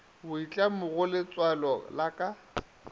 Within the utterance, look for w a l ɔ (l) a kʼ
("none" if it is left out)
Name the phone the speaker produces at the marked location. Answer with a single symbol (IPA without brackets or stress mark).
l